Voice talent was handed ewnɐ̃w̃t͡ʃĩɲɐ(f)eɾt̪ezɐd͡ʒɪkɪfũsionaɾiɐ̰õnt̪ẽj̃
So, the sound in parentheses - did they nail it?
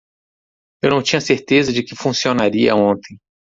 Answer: no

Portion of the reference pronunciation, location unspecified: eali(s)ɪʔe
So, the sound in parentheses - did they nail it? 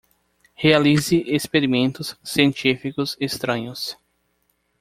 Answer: no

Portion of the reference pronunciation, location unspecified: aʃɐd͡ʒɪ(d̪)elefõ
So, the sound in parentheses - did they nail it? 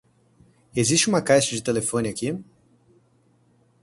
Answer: no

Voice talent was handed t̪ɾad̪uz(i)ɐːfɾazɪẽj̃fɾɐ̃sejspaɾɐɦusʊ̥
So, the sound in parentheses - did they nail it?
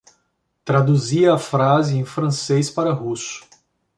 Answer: yes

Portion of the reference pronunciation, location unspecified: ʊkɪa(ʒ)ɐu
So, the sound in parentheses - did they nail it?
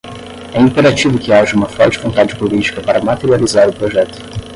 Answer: yes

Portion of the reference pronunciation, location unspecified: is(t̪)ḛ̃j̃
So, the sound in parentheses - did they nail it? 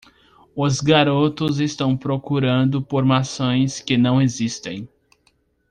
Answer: yes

